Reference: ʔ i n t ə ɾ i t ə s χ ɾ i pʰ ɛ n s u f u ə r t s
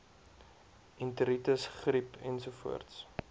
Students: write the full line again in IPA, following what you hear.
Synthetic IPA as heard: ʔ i n t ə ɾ i t ə s χ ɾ i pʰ ɛ n s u f u ə r t s